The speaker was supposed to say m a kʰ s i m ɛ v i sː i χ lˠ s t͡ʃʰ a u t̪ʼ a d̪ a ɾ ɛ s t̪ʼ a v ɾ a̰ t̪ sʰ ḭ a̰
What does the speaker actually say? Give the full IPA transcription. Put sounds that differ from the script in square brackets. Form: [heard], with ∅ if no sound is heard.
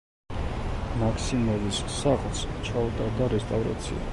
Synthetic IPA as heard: m a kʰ s i m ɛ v i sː [a] χ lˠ s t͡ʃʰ a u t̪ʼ a d̪ a ɾ ɛ s t̪ʼ a v ɾ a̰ t̪ sʰ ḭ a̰